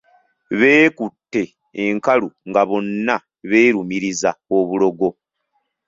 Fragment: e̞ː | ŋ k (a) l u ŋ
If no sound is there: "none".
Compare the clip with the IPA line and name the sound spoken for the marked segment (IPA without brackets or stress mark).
a